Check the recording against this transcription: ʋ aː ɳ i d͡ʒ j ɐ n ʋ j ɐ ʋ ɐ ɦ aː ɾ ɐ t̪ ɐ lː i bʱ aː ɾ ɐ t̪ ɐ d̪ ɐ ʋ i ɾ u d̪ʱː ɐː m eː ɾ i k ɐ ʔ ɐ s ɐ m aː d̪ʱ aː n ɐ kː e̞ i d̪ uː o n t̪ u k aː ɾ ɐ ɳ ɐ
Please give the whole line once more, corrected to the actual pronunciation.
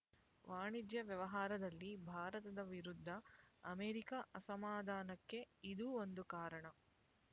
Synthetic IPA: ʋ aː ɳ i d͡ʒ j ɐ ʋ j ɐ ʋ ɐ ɦ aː ɾ ɐ d̪ ɐ lː i bʱ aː ɾ ɐ t̪ ɐ d̪ ɐ ʋ i ɾ u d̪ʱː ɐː m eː ɾ i k ɐ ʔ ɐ s ɐ m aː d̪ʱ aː n ɐ kː e̞ i d̪ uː o n d̪ u k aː ɾ ɐ ɳ ɐ